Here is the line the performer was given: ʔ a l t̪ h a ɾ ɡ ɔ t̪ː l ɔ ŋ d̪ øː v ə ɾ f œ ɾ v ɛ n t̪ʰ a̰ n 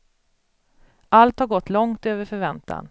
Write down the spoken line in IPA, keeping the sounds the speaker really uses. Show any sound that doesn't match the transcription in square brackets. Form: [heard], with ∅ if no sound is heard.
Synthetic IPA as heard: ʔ a l t̪ h a ɾ ɡ ɔ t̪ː l ɔ ŋ [t̪] øː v ə ɾ f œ ɾ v ɛ n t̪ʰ a̰ n